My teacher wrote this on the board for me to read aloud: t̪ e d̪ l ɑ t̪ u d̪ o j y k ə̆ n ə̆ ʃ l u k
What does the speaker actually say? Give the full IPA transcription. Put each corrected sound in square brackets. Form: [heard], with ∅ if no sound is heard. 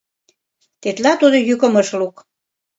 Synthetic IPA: t̪ e [t̪] l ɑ t̪ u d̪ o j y k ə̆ [m] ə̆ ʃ l u k